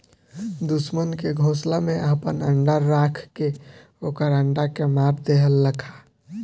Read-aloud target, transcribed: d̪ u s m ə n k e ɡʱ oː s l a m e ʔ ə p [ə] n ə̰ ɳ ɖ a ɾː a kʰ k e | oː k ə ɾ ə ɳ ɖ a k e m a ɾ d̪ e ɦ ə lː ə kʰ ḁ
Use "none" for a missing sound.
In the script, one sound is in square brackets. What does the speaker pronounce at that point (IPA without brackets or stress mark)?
ə